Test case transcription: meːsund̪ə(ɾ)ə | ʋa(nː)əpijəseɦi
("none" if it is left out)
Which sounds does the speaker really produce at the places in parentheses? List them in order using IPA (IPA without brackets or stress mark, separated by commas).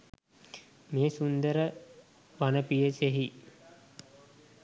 ɾ, n